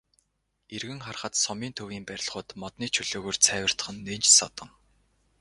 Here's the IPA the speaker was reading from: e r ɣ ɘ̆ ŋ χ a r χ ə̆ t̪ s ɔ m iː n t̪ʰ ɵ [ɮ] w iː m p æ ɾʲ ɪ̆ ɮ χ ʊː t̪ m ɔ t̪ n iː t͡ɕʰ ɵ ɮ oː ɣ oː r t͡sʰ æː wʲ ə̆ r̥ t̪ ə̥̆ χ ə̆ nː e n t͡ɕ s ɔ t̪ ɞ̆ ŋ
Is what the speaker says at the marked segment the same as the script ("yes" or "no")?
no